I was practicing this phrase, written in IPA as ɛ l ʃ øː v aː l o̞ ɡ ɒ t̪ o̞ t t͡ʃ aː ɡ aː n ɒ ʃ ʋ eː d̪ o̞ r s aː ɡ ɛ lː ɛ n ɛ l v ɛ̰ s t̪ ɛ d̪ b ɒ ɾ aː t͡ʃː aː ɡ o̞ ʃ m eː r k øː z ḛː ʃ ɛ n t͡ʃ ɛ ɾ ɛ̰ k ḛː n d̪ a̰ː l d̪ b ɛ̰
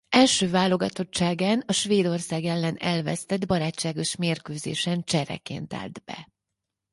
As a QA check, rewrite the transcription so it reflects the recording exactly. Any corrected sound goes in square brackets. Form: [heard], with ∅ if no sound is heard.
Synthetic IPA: ɛ l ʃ øː v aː l o̞ ɡ ɒ t̪ o̞ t t͡ʃ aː ɡ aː n ɒ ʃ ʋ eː d̪ o̞ r s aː ɡ ɛ lː ɛ n ɛ l v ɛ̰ s t̪ ɛ d̪ b ɒ ɾ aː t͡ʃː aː ɡ o̞ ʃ m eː r k øː z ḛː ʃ ɛ n t͡ʃ ɛ ɾ ɛ̰ k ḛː n [t̪] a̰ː l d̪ b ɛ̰